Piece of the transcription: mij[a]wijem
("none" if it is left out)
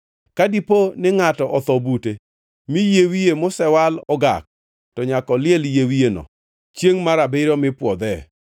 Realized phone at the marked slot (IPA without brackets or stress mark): e